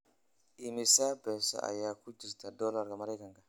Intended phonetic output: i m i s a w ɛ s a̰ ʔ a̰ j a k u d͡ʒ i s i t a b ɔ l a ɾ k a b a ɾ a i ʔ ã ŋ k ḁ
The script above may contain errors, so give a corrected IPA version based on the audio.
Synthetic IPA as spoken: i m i s a b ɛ s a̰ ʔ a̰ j a k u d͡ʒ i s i t a d ɔ l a ɾ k a m a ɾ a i k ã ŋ k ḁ